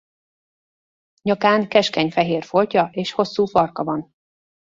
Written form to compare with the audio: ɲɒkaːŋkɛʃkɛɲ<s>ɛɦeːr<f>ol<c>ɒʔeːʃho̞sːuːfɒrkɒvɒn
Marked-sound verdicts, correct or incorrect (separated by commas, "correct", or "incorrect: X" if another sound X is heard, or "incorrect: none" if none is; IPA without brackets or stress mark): incorrect: f, correct, correct